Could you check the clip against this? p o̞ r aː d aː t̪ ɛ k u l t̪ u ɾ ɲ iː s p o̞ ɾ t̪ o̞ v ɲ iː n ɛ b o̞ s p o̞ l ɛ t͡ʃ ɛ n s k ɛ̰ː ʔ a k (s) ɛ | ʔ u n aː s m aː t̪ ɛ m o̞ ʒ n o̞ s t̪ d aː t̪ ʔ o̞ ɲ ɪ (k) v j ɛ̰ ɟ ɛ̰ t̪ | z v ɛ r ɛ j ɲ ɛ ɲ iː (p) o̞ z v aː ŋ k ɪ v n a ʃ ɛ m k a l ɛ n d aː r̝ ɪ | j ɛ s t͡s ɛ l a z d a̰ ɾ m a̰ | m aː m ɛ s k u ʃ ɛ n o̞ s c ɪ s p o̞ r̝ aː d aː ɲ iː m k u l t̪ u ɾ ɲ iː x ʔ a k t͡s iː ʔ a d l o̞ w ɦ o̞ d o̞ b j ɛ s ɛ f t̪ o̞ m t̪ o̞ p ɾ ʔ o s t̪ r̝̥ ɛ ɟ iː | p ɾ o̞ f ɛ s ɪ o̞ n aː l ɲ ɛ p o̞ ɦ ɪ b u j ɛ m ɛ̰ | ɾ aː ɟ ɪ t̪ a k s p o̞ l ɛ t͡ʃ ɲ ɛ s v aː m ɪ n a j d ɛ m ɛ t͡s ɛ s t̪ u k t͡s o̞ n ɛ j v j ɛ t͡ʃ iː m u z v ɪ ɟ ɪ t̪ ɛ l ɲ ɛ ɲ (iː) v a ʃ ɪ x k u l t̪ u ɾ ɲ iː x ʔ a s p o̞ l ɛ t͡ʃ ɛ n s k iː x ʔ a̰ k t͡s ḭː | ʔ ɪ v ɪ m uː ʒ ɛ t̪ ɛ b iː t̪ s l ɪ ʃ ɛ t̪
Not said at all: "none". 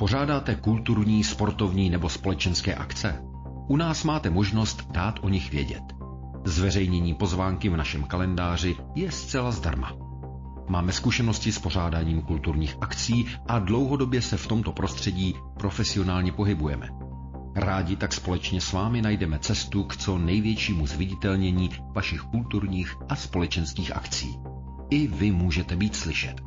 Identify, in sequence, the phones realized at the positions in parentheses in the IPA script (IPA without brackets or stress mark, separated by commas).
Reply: t͡s, x, p, iː